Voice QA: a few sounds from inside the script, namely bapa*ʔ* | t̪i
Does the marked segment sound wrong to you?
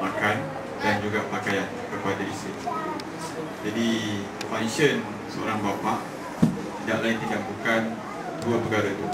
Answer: no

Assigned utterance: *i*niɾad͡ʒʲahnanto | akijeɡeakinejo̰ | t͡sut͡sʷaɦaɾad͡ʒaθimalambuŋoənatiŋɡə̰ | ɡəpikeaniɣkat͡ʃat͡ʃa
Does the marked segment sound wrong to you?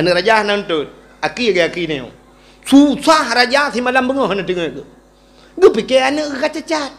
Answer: yes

